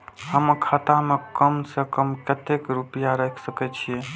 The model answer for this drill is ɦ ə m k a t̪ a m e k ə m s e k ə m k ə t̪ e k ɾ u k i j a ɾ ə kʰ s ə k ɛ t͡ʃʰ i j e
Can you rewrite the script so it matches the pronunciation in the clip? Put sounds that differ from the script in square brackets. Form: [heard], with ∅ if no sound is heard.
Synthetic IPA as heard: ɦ ə m [kʰ] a t̪ a m e k ə m s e k ə m k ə t̪ e k ɾ u [p] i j a ɾ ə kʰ s ə k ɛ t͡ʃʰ i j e